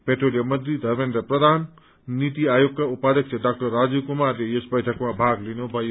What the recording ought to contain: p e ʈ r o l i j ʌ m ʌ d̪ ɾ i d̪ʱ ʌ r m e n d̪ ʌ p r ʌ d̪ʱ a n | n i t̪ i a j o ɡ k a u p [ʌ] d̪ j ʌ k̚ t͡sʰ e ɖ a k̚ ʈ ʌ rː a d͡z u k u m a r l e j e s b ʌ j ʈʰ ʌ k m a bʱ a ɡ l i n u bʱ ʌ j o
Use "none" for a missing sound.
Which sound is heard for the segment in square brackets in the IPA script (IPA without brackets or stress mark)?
a